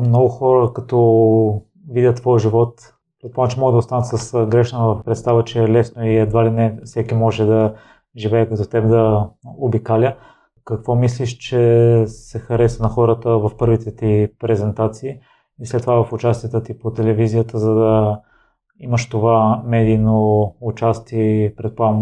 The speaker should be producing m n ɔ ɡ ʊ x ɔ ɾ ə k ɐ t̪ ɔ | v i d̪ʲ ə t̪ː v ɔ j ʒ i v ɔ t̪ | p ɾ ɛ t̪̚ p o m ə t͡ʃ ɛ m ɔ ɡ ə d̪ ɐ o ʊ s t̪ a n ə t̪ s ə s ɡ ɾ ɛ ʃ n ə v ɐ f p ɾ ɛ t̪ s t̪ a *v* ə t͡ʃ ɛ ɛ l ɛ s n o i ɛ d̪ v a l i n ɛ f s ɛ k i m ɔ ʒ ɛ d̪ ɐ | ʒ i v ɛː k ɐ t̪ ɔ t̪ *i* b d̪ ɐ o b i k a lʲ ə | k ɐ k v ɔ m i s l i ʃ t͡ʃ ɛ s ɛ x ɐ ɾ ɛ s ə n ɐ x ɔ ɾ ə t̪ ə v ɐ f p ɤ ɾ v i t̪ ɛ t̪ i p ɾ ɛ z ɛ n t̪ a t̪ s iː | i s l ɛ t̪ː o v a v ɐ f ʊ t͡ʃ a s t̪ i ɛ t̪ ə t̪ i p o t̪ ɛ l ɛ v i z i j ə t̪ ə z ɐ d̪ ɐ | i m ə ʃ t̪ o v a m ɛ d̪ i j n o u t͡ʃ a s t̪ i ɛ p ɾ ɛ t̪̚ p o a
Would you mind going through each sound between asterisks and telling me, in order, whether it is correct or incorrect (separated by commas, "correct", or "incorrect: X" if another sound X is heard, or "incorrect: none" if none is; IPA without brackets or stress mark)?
correct, incorrect: ɛ